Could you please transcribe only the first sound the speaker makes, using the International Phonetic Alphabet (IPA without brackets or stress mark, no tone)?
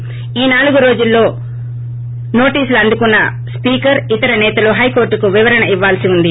iː